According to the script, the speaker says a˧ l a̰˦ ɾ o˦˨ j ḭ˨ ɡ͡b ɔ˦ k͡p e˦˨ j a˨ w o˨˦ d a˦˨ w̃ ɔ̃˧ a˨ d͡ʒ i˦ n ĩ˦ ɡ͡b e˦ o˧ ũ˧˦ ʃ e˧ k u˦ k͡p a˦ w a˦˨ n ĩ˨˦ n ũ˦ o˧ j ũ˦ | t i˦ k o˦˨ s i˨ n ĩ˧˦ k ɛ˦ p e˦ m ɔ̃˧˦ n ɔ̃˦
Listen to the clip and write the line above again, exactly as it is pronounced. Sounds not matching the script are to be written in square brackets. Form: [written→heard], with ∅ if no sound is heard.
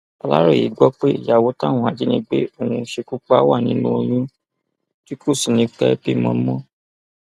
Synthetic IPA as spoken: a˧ l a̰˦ ɾ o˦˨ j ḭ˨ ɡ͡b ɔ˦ k͡p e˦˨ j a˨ w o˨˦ [d→t] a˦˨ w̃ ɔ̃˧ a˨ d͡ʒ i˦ n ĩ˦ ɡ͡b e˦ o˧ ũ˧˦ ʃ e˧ k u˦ k͡p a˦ w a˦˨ n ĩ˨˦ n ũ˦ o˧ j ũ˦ | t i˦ k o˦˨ s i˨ n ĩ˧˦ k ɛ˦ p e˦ m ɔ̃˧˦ [n→m] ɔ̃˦